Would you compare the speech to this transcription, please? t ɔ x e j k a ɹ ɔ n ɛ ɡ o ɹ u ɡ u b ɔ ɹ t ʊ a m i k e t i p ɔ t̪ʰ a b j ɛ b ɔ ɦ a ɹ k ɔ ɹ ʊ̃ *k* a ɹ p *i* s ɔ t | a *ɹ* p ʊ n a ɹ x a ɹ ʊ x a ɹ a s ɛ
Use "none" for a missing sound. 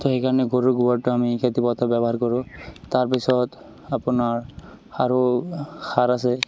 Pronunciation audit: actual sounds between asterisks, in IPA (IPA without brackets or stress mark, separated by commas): t, i, none